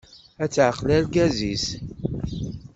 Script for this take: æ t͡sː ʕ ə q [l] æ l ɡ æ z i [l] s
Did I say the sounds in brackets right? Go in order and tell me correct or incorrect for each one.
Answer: correct, incorrect: none

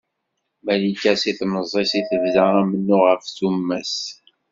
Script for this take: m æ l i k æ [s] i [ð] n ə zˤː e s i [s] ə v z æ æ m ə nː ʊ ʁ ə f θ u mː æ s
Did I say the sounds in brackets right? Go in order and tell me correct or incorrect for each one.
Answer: correct, incorrect: θ, incorrect: θ

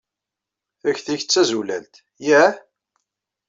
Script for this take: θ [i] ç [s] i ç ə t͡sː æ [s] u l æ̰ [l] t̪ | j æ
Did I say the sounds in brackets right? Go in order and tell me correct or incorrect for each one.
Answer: incorrect: æ, incorrect: θ, incorrect: z, correct

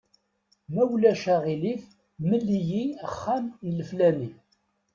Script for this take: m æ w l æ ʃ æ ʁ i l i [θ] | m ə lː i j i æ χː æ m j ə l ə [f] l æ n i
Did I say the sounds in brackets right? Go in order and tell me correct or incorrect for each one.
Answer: correct, correct

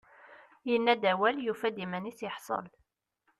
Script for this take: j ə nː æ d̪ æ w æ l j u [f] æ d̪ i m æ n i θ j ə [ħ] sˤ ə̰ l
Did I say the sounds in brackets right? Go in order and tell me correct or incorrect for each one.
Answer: correct, correct

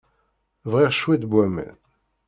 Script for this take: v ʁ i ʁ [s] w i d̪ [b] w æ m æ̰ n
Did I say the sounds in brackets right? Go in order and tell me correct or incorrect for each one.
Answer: incorrect: ʃ, correct

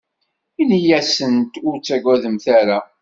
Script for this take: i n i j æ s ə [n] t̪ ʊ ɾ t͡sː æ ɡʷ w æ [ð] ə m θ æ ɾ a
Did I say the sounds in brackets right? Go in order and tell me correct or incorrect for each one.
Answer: correct, correct

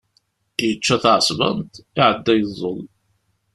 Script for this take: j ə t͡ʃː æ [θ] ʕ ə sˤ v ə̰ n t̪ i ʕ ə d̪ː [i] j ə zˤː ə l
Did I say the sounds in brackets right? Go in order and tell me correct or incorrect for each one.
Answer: correct, incorrect: æ

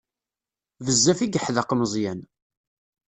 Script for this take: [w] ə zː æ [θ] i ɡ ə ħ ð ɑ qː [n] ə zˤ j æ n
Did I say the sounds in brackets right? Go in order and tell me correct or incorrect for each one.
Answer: incorrect: v, incorrect: f, incorrect: m

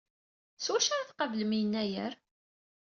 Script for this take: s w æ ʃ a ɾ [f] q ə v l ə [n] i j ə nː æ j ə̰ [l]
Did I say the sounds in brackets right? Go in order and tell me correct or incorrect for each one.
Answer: incorrect: θ, incorrect: m, incorrect: ɾ

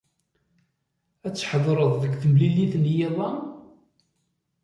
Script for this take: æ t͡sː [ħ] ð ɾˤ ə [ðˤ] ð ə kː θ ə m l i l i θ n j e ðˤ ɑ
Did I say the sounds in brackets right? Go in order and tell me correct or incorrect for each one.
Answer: correct, correct

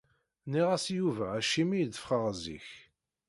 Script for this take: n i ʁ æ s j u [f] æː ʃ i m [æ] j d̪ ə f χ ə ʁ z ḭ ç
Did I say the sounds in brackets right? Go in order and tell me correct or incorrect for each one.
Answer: incorrect: v, incorrect: i

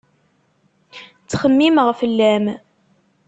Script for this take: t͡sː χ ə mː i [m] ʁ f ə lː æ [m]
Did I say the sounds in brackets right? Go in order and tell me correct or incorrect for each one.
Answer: correct, correct

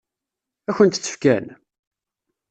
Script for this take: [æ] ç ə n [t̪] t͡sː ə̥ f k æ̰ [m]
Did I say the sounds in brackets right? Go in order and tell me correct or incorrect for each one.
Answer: correct, correct, incorrect: n

